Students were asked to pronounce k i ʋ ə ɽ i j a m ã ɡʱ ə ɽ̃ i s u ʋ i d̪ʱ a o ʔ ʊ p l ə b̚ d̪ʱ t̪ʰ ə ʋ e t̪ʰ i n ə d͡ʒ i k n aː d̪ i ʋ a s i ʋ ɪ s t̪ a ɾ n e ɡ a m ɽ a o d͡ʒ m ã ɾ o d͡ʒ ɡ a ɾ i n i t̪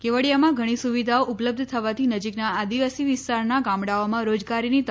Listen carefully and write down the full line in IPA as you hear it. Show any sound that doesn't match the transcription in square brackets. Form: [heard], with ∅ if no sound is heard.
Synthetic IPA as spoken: k [e] ʋ ə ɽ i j a m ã ɡʱ ə ɽ̃ i s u ʋ i d̪ʱ a o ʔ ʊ p l ə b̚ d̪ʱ t̪ʰ ə ʋ [a] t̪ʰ i n ə d͡ʒ i k n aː d̪ i ʋ a s i ʋ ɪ s t̪ a ɾ n [a] ɡ a m ɽ a o [∅] m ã ɾ o d͡ʒ ɡ a ɾ i n i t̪